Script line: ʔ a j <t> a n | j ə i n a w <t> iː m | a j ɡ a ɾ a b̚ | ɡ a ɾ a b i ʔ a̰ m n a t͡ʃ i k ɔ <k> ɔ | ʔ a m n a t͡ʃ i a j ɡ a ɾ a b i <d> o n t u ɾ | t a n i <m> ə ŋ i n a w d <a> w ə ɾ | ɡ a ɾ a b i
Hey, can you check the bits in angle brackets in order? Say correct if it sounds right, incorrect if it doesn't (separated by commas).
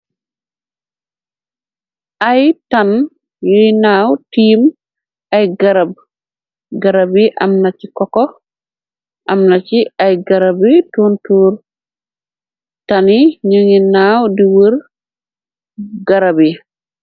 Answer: correct, correct, correct, incorrect, incorrect, incorrect